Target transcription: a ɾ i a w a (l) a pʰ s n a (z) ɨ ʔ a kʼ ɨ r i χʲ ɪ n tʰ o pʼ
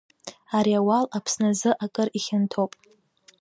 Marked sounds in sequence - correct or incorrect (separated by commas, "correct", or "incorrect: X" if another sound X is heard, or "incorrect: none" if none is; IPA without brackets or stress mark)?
correct, correct